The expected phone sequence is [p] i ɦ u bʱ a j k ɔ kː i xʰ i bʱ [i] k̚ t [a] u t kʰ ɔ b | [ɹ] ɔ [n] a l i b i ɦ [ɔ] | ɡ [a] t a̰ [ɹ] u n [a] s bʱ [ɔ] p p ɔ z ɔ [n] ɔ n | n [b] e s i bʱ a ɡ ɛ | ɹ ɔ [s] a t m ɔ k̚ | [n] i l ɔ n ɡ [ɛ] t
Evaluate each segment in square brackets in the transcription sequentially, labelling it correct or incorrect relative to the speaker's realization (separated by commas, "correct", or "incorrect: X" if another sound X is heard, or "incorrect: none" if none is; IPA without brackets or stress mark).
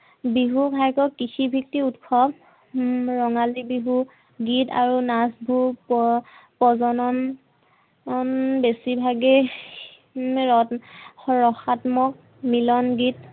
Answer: incorrect: b, correct, incorrect: i, correct, incorrect: ŋ, incorrect: u, incorrect: i, correct, correct, incorrect: u, correct, correct, incorrect: x, incorrect: m, incorrect: i